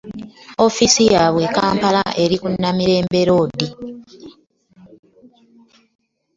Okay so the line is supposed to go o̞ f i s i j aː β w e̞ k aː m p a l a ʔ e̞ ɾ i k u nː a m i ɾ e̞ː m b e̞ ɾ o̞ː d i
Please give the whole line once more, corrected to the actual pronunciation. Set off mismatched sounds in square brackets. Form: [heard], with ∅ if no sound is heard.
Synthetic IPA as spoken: o̞ f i s i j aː β w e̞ k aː m p a l a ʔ e̞ ɾ i k u nː a m i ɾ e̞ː m b e̞ ɾ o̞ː d i